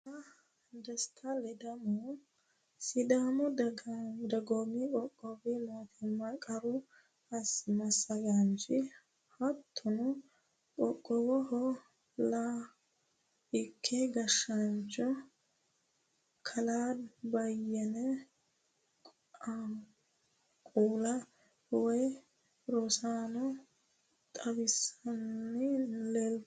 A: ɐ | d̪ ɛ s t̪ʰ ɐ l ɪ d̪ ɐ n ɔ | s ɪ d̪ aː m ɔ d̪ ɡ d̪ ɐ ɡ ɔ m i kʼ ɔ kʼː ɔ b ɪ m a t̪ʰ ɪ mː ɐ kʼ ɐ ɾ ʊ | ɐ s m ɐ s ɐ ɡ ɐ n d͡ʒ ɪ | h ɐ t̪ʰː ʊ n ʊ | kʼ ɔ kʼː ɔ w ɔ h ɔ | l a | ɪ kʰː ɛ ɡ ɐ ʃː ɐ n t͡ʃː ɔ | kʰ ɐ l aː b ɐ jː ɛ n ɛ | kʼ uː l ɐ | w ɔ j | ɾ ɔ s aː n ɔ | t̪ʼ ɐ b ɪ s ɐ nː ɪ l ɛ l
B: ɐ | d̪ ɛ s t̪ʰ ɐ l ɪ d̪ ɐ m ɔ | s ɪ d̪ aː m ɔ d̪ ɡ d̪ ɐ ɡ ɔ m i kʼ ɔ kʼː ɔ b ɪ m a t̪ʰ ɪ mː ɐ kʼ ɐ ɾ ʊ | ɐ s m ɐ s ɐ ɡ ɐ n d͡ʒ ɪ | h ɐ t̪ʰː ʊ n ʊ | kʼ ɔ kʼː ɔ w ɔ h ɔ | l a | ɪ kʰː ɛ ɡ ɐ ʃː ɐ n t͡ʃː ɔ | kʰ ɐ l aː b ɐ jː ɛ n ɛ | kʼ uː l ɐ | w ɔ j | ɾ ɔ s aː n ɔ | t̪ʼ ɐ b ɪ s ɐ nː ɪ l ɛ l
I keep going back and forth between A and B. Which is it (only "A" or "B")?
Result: B